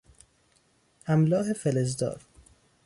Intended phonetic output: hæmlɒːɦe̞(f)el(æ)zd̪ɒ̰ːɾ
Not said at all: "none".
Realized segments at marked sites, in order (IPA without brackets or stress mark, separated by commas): f, e